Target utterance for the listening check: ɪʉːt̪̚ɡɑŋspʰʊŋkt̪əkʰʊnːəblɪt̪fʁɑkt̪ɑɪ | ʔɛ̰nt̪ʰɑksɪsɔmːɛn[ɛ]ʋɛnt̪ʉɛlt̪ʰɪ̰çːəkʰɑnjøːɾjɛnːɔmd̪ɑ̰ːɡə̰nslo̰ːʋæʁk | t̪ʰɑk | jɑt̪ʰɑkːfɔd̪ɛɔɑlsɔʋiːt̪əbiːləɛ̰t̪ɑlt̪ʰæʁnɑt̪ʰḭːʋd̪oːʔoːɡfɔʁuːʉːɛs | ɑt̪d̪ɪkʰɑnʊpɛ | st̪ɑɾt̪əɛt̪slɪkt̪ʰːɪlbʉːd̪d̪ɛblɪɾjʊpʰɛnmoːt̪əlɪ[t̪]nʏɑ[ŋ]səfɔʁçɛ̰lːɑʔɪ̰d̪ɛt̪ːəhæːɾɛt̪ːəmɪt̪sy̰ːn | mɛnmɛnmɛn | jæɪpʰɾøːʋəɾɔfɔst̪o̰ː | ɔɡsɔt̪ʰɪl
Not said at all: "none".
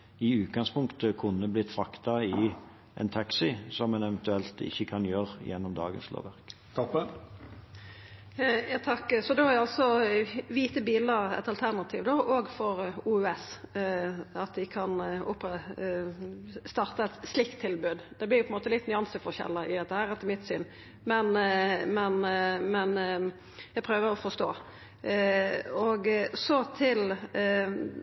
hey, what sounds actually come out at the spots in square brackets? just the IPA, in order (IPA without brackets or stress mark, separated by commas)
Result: ɛ, t̪, n